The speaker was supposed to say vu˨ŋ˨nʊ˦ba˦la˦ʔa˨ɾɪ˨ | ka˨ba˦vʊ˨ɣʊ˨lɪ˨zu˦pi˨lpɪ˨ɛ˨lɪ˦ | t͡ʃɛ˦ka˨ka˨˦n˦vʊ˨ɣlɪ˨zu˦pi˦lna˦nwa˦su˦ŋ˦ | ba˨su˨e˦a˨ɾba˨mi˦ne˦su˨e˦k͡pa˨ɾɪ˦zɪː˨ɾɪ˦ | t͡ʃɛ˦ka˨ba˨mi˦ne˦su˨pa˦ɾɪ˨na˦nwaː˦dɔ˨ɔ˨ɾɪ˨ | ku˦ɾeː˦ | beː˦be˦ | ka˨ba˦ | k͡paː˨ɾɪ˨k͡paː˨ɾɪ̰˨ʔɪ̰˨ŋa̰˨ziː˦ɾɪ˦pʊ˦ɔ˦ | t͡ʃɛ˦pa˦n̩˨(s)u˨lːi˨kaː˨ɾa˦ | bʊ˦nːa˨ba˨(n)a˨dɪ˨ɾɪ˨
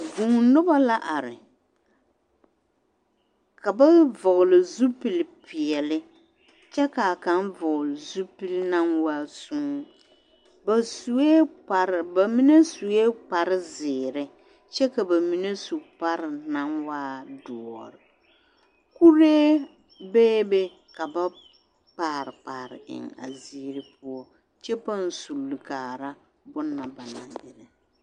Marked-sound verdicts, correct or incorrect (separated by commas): correct, correct